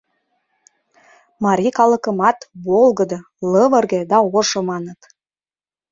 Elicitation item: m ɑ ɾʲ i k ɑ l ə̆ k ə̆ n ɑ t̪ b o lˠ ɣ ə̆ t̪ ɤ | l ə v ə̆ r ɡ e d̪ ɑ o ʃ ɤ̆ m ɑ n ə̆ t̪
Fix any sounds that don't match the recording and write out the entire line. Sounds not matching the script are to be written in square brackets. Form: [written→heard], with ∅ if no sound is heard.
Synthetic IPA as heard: m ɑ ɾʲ i k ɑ l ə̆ k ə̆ [n→m] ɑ t̪ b o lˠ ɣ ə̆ [t̪→d̪] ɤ | l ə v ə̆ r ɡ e d̪ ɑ o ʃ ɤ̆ m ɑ n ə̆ t̪